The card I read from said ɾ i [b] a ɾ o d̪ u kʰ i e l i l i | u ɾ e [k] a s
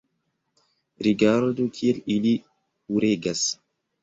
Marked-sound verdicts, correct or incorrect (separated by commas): incorrect, incorrect